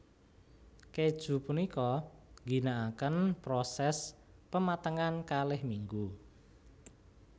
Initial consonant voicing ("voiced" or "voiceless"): voiceless